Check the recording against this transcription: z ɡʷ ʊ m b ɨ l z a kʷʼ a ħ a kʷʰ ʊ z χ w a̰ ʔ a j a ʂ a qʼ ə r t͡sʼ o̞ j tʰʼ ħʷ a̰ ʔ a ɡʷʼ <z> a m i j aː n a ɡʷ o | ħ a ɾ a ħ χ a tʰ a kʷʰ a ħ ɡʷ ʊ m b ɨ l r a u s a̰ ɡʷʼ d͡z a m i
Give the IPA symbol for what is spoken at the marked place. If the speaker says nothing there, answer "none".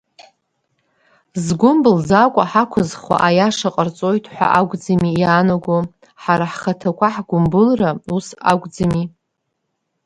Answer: d͡z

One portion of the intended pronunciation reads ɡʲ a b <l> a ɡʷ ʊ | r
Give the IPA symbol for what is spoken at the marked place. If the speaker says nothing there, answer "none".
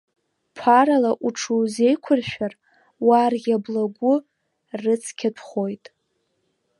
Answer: l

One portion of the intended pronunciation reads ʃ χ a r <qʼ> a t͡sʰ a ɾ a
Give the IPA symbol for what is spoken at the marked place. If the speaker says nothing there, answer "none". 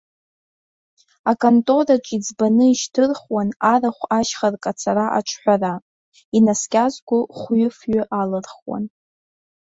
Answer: kʼ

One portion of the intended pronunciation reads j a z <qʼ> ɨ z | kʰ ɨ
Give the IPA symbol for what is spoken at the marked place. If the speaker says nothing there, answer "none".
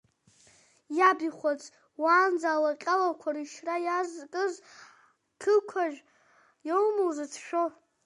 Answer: kʼ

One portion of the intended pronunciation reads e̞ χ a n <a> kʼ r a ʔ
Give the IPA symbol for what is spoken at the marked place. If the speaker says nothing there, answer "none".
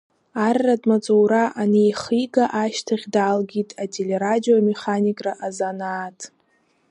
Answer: i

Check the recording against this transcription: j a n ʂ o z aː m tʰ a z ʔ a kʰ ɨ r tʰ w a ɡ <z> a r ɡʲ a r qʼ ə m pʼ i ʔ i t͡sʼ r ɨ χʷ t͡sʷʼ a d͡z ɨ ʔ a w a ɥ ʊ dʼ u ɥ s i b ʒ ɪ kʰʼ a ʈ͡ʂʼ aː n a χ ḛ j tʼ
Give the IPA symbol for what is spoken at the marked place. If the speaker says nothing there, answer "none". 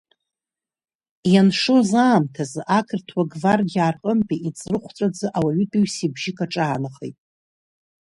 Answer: v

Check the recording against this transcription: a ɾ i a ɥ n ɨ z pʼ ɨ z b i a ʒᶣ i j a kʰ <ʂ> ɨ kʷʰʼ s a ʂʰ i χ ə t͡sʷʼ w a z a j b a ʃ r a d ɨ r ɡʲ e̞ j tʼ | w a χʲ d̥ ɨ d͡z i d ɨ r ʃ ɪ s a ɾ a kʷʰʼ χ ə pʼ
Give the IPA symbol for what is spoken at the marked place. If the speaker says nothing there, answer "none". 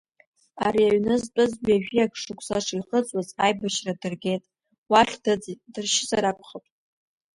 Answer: ʂ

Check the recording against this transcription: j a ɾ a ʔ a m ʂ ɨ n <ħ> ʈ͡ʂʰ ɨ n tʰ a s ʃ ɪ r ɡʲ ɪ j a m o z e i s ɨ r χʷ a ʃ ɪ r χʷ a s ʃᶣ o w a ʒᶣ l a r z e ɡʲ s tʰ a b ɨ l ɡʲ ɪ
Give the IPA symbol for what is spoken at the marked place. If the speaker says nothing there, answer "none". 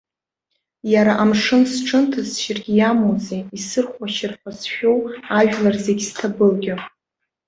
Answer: s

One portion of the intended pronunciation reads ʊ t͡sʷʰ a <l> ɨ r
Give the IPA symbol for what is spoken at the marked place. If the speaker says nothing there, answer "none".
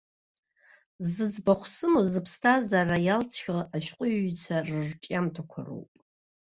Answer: r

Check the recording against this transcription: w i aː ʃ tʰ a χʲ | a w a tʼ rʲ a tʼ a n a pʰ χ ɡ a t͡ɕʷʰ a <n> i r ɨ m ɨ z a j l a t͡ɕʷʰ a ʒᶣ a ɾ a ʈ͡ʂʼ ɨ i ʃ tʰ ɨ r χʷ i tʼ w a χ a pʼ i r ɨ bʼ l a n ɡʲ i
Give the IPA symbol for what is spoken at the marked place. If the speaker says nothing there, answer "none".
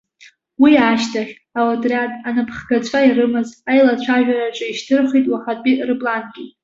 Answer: none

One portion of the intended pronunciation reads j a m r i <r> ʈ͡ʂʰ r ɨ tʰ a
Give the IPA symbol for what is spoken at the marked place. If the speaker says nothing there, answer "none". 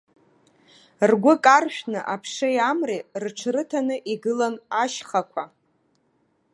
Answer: r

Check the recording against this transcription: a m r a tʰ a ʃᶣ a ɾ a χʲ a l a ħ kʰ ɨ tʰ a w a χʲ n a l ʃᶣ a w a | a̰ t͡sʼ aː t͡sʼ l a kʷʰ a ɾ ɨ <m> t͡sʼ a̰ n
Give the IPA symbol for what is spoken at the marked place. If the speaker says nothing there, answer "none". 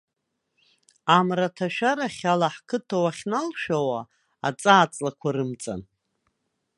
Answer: m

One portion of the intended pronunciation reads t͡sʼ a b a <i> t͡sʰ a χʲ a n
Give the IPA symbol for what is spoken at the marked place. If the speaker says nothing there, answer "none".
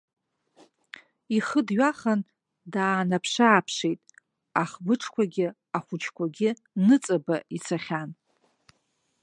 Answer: i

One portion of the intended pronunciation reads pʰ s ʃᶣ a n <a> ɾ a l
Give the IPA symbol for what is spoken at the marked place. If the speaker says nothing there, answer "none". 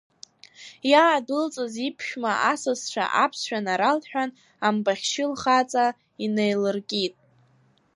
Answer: a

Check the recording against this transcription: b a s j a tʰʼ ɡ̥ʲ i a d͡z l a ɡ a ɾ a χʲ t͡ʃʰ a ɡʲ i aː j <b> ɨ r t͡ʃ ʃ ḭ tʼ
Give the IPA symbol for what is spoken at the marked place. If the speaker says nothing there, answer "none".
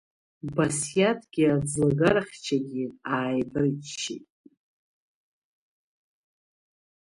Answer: b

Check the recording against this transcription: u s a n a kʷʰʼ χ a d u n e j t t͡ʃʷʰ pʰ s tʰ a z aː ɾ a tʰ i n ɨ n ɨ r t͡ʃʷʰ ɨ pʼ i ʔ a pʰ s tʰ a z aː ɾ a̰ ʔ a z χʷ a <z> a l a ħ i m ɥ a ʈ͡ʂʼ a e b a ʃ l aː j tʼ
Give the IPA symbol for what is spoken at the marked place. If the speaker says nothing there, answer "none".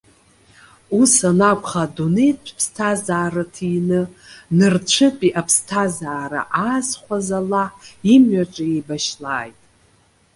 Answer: z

